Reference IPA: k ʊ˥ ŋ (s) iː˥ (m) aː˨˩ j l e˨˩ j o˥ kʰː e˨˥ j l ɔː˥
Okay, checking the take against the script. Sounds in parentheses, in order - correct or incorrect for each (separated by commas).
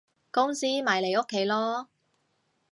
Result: correct, correct